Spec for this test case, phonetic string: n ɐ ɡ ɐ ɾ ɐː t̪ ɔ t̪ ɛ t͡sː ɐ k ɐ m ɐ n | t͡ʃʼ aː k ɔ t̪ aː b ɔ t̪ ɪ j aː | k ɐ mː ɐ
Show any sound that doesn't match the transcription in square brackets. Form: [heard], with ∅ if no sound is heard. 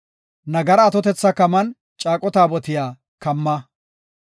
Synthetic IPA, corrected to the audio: n ɐ ɡ ɐ ɾ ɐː t̪ ɔ t̪ ɛ t͡sː ɐ k ɐ m ɐ n | t͡ʃʼ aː [kʼ] ɔ t̪ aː b ɔ t̪ ɪ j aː | k ɐ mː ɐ